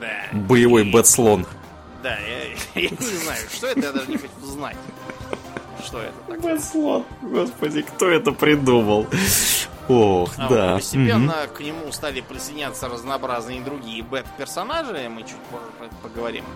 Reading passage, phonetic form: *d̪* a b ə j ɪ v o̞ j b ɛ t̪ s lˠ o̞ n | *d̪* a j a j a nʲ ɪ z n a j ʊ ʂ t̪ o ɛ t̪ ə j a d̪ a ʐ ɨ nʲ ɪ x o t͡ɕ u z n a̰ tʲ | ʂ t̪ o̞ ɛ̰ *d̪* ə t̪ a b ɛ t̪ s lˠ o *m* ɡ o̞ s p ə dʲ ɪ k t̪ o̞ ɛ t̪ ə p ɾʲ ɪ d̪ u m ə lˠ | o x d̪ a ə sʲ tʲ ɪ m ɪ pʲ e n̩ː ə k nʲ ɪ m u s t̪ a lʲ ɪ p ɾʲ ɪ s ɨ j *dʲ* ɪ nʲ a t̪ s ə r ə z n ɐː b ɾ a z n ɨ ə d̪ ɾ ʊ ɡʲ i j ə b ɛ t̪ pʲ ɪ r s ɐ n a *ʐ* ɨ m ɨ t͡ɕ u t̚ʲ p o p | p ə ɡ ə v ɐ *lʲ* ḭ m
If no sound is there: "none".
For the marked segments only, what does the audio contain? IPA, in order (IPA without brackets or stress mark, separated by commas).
d̪, d̪, t̪, n, dʲ, ʐ, ɾʲ